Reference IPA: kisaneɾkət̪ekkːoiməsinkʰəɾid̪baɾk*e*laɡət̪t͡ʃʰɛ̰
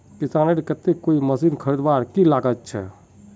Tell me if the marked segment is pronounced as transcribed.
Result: no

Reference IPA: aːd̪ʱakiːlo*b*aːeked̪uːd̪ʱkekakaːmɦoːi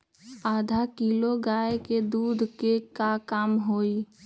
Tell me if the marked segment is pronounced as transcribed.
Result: no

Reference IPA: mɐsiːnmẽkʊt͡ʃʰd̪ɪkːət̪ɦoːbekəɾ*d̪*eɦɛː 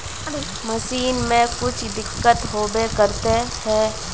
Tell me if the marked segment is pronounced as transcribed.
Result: no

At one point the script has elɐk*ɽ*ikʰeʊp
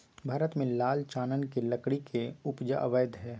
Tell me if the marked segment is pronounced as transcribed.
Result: yes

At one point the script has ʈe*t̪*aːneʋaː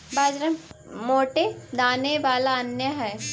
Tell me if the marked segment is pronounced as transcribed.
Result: no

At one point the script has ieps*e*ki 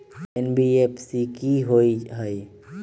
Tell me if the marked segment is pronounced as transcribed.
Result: no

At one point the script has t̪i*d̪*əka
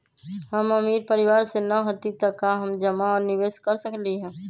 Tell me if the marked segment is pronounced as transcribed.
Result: no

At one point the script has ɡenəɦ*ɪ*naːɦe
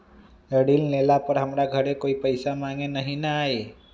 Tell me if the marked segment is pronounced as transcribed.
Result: no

